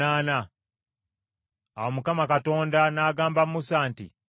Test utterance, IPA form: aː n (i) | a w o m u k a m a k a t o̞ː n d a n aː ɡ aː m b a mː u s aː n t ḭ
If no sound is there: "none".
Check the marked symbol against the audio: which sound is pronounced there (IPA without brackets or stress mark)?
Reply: a